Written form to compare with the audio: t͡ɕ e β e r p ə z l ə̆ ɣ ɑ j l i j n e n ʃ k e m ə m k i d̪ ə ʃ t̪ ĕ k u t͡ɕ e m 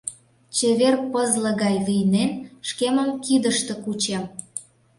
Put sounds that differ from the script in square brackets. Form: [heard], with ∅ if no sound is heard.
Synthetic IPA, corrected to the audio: t͡ɕ e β e r p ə z l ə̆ ɣ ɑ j l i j n e n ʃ k e m ə m k i d̪ ə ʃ t̪ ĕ k u t͡ɕ e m